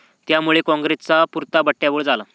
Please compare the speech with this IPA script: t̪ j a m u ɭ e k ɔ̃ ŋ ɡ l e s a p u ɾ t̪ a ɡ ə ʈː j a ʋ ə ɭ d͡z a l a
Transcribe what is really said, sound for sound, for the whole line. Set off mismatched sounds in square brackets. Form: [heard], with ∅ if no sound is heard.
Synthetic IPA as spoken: t̪ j a m u ɭ e k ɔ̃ ŋ ɡ [ɾ] e [t͡s] a p u ɾ t̪ a [b] ə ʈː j a ʋ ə ɭ d͡z a l a